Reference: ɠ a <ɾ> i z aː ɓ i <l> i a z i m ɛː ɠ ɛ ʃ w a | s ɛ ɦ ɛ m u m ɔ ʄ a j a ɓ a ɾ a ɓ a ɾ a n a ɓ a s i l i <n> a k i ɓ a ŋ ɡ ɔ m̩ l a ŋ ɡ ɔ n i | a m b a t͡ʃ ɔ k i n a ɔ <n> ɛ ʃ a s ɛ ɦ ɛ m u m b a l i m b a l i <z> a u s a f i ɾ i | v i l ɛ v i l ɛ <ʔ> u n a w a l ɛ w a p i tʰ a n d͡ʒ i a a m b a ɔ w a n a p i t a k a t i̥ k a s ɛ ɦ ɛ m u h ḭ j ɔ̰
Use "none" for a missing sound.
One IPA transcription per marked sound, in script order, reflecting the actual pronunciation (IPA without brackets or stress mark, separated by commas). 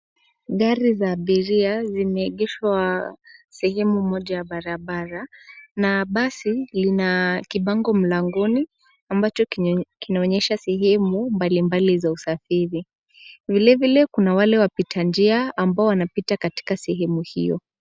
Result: ɾ, ɾ, n, ɲ, z, k